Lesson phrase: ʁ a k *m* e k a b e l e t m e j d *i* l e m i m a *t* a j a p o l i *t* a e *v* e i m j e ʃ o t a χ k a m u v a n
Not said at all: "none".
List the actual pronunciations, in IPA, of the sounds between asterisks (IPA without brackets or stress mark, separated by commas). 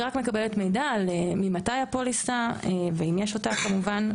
m, a, t, s, v